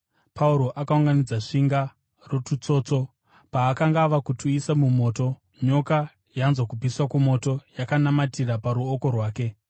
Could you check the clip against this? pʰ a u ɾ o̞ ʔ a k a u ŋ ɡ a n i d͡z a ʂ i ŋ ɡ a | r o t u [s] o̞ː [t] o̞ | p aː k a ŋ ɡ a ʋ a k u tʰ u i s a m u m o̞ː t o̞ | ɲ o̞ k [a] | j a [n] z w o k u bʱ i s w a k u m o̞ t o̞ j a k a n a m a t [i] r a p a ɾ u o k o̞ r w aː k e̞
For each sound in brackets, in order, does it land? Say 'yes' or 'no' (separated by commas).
no, no, yes, yes, yes